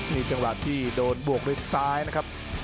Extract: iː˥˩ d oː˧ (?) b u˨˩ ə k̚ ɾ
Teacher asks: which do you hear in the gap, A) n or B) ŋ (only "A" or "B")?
A